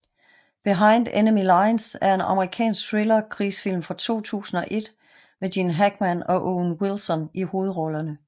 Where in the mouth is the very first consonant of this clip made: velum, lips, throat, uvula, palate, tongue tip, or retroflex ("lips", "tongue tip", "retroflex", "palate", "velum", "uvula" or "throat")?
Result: lips